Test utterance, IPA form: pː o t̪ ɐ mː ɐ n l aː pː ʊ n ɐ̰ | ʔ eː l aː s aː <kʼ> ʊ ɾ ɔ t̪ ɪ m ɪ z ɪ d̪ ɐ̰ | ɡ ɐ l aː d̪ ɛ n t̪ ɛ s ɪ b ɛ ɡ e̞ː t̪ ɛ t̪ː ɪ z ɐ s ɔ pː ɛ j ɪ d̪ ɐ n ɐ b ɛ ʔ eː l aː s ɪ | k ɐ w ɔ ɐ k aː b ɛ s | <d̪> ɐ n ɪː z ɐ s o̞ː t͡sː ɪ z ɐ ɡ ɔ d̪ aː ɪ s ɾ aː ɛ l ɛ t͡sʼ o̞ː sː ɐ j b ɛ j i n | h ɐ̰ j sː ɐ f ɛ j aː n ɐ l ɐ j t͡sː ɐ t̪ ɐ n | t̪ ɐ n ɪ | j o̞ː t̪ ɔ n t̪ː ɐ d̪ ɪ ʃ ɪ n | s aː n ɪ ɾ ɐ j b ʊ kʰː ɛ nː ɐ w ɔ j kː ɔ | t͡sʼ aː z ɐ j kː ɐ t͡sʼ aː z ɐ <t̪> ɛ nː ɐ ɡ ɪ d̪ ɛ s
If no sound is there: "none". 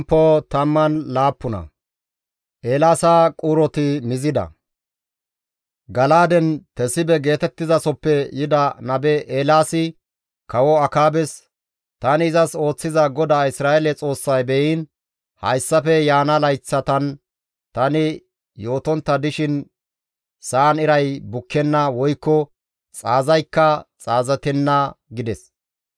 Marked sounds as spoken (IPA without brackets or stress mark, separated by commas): kʼ, t̪, t̪